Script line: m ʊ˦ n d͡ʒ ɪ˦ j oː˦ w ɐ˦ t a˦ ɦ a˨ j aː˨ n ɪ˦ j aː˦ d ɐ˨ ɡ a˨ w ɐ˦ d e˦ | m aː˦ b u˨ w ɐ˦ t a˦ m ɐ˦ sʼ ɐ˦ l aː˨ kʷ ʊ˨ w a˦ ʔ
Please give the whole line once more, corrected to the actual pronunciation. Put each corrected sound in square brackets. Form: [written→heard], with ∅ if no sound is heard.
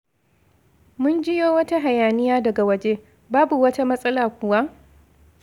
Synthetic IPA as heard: m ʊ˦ n d͡ʒ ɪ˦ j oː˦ w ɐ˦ t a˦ ɦ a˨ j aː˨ n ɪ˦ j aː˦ d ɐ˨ ɡ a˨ w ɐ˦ [d→d͡ʒ] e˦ | [m→b] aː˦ b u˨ w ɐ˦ t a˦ m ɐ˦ sʼ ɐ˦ l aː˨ kʷ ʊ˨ w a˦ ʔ